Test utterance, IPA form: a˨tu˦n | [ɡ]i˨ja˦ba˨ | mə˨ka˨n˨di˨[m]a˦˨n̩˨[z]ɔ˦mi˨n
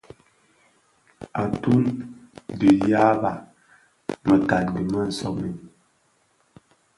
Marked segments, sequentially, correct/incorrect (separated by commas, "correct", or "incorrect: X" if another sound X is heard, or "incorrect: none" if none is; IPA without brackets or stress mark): incorrect: d, correct, incorrect: s